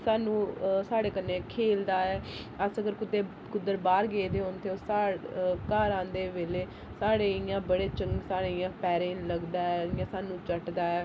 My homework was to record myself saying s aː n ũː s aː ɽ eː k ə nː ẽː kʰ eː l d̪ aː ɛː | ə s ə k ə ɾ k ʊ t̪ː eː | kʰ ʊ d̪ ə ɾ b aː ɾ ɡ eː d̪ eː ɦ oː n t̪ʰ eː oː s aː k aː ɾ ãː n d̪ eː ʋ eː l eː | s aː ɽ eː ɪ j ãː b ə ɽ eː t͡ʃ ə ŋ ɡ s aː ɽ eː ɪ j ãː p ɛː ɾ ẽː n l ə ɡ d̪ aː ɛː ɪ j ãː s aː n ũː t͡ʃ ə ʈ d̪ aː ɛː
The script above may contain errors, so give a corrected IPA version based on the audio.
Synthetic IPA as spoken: s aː n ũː s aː ɽ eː k ə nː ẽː kʰ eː l d̪ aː ɛː | ə s ə ɡ ə ɾ k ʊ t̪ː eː | k ʊ d̪ ə ɾ b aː ɾ ɡ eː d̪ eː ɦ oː n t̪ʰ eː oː s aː k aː ɾ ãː n d̪ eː ʋ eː l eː | s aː ɽ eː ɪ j ãː b ə ɽ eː t͡ʃ ə ŋ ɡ s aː ɽ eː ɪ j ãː p ɛː ɾ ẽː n l ə ɡ d̪ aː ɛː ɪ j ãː s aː n ũː t͡ʃ ə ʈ d̪ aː ɛː